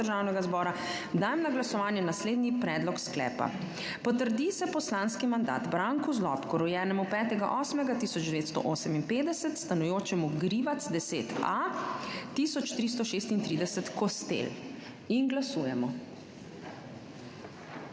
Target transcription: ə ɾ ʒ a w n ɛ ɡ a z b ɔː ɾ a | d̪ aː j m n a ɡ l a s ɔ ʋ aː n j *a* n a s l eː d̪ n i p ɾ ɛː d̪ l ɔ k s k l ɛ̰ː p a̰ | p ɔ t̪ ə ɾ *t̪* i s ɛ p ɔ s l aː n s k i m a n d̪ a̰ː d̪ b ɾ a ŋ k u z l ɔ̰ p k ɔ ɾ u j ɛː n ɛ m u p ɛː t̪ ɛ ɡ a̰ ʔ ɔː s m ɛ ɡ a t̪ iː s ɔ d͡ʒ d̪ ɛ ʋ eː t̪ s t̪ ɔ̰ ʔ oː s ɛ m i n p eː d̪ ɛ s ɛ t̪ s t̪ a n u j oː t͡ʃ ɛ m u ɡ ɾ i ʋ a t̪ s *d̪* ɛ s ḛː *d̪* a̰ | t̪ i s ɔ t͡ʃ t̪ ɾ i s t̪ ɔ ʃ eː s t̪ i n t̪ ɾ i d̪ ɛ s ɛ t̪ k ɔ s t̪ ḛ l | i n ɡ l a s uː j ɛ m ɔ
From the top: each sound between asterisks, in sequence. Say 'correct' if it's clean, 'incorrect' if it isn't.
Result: incorrect: ɛ, incorrect: d̪, correct, incorrect: t̪

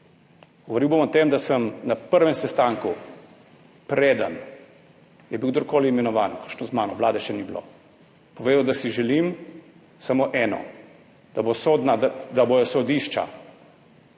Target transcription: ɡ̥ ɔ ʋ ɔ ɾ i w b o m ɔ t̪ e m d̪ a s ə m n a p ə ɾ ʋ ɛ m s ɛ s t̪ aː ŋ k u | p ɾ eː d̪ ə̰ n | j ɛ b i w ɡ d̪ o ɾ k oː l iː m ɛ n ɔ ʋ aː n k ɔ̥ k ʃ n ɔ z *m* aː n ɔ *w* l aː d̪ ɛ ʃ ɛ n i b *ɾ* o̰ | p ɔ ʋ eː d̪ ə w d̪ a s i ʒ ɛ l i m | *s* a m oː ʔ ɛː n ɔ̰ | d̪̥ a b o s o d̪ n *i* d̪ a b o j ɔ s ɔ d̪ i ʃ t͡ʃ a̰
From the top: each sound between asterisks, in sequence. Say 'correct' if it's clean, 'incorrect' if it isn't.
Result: correct, incorrect: ʋ, incorrect: l, correct, incorrect: a

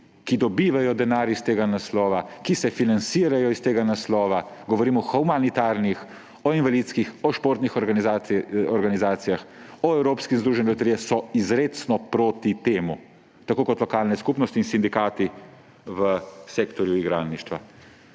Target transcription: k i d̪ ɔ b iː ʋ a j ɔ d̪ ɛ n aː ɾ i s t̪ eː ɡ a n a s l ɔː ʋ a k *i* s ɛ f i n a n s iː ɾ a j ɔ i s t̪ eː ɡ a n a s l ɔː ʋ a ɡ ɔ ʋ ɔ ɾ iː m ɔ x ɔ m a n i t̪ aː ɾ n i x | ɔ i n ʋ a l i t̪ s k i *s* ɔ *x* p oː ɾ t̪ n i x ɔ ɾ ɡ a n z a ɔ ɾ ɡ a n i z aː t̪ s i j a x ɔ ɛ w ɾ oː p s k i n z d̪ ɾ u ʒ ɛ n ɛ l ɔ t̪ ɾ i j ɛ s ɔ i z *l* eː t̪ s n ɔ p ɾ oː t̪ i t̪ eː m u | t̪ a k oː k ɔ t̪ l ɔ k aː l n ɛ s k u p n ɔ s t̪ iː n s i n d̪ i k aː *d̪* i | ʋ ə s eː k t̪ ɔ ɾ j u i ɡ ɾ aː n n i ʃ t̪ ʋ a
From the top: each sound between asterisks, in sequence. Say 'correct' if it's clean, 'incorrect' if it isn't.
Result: correct, incorrect: x, incorrect: ʃ, incorrect: ɾ, incorrect: t̪

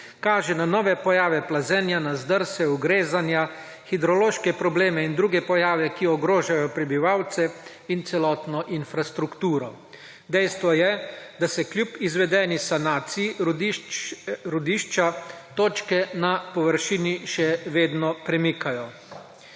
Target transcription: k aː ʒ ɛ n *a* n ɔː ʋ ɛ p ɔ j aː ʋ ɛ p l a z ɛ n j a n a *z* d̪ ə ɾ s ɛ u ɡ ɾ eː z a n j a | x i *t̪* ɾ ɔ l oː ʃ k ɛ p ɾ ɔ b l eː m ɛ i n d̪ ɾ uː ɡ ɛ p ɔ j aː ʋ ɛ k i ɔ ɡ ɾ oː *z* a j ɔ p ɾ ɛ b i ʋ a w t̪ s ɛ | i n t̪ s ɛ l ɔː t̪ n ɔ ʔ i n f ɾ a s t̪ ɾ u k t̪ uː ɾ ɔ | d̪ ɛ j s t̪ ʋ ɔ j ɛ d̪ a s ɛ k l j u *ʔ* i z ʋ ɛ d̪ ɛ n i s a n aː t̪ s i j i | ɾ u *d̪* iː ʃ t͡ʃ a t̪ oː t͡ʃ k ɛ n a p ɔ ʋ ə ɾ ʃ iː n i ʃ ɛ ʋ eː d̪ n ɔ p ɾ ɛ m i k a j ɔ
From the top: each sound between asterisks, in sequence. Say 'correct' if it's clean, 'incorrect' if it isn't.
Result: correct, correct, incorrect: d̪, incorrect: ʒ, incorrect: p, correct

